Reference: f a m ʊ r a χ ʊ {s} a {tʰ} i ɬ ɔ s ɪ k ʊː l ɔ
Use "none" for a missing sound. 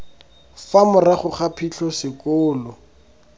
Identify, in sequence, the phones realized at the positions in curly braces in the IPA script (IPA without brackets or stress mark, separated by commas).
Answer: χ, pʰ